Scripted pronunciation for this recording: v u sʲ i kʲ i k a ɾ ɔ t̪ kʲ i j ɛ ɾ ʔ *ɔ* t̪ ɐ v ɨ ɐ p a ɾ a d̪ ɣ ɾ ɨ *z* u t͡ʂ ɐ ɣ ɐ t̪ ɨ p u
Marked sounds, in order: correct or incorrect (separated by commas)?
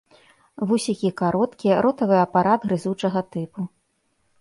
correct, correct